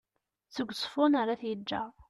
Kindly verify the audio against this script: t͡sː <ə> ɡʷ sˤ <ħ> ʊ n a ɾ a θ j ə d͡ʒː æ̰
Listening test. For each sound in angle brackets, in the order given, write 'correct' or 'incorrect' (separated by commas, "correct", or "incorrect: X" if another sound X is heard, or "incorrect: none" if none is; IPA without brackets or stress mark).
correct, incorrect: f